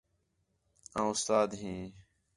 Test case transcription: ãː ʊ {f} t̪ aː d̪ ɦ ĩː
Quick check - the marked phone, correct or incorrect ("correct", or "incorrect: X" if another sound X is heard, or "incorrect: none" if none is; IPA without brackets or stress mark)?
incorrect: s